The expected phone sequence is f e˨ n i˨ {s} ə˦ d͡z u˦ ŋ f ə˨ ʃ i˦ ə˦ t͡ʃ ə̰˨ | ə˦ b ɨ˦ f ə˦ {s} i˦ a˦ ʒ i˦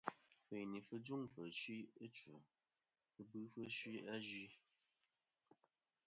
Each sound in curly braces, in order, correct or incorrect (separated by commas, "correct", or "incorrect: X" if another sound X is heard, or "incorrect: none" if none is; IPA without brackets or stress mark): incorrect: f, incorrect: ʃ